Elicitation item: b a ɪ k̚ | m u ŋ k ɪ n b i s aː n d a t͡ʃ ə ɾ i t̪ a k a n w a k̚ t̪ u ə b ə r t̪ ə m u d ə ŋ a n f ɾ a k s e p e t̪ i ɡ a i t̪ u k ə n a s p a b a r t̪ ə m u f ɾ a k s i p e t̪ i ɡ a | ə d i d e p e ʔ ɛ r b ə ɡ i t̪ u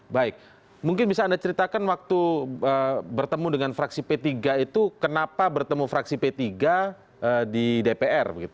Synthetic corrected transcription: b a ɪ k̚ | m u ŋ k ɪ n b i s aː n d a t͡ʃ ə ɾ i t̪ a k a n w a k̚ t̪ u ə b ə r t̪ ə m u d ə ŋ a n f ɾ a k s i p e t̪ i ɡ a i t̪ u k ə n a p a b ə r t̪ ə m u f ɾ a k s i p e t̪ i ɡ a | ə d i d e p e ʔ ɛ r b ə ɡ i t̪ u